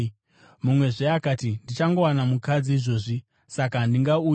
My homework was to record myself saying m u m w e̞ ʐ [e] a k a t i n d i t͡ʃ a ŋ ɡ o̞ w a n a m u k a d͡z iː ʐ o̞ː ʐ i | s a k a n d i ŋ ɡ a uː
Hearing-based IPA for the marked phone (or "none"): e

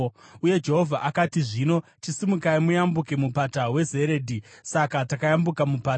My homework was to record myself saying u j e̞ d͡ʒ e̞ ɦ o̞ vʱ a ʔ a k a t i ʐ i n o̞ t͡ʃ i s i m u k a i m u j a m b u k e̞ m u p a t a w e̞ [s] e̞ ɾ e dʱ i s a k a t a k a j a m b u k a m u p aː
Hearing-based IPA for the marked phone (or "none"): z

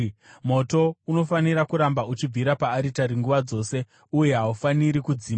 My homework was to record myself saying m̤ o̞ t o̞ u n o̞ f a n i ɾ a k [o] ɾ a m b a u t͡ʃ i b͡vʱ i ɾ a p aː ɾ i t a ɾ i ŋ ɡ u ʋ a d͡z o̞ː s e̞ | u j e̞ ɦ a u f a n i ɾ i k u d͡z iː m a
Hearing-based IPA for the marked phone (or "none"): u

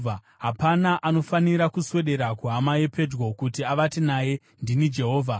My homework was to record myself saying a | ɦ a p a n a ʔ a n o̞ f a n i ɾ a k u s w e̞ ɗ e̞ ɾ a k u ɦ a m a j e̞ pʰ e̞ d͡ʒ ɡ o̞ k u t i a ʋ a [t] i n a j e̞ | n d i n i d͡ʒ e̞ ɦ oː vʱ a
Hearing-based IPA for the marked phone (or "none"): t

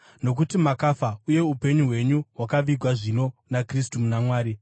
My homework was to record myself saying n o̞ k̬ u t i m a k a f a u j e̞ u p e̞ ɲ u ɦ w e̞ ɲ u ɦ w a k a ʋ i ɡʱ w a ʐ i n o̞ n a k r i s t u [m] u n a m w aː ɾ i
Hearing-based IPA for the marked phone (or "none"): m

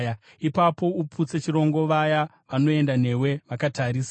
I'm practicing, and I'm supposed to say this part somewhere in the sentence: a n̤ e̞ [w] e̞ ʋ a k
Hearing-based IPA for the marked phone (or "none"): w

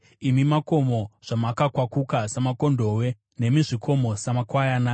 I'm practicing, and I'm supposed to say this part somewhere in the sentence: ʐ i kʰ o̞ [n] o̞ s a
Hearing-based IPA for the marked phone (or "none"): m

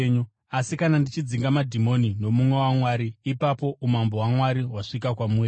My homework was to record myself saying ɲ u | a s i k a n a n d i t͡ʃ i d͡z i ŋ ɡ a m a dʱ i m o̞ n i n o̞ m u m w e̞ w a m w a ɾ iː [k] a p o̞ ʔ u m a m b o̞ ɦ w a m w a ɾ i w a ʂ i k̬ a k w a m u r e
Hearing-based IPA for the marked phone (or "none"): p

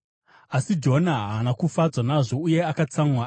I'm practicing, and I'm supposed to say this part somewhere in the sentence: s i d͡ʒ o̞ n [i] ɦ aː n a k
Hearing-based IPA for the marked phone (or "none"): a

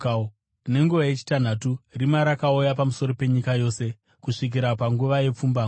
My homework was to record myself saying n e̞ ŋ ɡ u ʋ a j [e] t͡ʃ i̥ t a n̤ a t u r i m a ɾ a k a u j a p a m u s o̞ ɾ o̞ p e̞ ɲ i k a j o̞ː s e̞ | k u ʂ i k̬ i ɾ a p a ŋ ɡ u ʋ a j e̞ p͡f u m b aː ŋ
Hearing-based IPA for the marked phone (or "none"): e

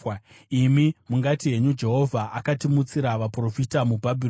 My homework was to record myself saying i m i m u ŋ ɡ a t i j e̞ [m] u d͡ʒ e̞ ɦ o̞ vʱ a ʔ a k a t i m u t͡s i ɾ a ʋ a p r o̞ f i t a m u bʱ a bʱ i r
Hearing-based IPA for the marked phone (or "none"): ɲ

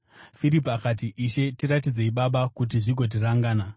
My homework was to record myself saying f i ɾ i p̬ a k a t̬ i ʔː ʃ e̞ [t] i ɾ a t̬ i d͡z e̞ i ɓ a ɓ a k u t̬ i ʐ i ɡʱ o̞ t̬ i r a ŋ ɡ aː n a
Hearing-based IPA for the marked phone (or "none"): t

